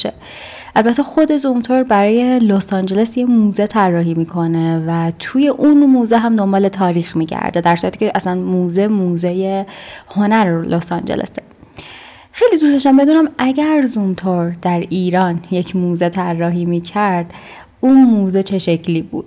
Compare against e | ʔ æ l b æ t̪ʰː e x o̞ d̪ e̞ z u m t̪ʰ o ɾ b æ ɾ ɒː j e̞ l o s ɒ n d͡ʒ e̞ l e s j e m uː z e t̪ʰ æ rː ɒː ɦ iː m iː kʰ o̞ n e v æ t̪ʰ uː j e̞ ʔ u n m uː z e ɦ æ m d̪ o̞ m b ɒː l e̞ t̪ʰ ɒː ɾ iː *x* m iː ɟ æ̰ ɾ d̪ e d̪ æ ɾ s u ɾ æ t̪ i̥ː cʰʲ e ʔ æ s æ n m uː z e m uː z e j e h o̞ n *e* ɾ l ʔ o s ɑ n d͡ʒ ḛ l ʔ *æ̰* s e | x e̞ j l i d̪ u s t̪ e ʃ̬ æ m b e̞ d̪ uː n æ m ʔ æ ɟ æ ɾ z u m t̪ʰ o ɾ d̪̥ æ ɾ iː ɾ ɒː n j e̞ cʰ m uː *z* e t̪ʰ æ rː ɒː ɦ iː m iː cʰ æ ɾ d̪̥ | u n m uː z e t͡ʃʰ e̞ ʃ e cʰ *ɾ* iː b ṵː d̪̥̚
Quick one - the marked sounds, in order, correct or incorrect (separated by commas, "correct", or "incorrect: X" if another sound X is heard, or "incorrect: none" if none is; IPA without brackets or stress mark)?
correct, incorrect: æ, incorrect: ḛ, correct, incorrect: l